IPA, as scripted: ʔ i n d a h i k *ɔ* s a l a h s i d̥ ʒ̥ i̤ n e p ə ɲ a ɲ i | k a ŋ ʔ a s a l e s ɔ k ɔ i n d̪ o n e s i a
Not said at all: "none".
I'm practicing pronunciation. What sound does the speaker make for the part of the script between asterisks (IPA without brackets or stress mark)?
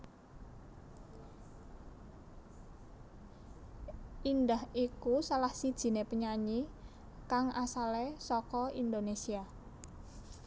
u